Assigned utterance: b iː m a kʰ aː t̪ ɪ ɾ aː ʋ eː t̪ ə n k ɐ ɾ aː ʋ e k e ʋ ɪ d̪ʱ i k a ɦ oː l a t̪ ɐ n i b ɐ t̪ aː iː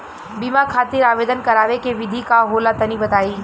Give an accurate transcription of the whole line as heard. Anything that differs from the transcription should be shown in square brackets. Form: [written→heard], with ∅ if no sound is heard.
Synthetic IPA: b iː m a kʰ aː t̪ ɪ ɾ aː ʋ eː [t̪→d̪] ə n k ɐ ɾ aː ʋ e k e ʋ ɪ d̪ʱ i k a ɦ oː l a t̪ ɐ n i b ɐ t̪ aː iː